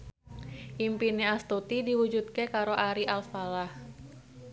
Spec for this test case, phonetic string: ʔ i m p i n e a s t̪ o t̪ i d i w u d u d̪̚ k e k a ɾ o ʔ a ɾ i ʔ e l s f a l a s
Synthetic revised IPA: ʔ i m p i n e a s t̪ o t̪ i d i w u d͡ʒ u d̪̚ k e k a ɾ o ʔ a ɾ i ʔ a l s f a l a h